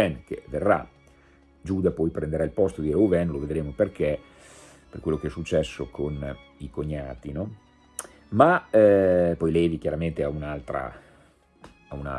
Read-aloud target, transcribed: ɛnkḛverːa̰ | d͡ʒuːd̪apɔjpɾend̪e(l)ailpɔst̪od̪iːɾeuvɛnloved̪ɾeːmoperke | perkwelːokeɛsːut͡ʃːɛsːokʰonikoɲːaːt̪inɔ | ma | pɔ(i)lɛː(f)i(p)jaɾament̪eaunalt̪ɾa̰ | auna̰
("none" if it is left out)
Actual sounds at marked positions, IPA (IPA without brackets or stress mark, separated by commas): ɾ, j, v, k